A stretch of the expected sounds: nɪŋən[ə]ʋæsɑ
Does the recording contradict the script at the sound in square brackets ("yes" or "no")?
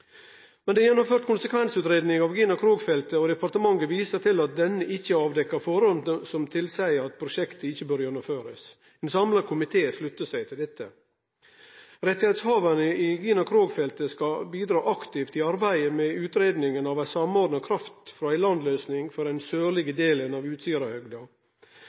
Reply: yes